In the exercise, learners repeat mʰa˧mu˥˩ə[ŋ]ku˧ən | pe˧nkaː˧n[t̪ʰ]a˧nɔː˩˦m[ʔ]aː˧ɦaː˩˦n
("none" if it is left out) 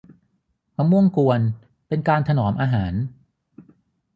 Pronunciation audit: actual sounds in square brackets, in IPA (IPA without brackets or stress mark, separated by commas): ŋ, t̪ʰ, ʔ